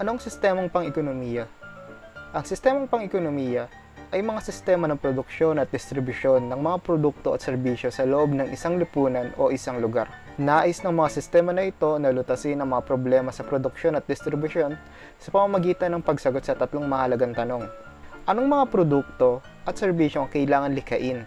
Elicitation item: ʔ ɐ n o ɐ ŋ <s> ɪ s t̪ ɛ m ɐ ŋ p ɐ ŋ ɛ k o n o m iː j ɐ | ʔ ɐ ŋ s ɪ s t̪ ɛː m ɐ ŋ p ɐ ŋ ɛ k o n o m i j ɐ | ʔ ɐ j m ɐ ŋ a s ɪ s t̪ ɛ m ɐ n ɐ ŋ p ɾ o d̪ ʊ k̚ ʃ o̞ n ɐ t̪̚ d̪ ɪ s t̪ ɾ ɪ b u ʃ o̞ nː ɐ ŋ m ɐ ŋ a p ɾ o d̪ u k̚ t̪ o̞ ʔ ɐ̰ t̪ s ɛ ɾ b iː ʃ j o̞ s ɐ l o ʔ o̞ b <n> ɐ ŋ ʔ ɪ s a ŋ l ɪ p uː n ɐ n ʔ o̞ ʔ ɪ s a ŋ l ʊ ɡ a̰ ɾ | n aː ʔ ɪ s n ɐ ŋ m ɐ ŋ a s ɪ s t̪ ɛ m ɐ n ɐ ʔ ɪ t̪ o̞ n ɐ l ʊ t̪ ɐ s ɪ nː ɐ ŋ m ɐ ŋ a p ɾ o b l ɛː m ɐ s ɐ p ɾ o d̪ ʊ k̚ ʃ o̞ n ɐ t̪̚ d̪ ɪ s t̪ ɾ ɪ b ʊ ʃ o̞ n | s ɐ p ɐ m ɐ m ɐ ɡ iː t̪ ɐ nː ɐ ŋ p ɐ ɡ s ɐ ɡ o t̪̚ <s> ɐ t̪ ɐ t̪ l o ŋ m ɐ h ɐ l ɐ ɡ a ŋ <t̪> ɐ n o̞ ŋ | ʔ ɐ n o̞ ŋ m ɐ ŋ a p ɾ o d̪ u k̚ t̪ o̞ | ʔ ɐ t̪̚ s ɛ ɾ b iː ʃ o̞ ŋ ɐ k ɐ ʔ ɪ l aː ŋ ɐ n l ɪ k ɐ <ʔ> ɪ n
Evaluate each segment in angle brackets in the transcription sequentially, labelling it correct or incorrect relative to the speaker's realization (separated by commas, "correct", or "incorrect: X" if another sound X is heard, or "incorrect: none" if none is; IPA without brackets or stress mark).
correct, correct, correct, correct, correct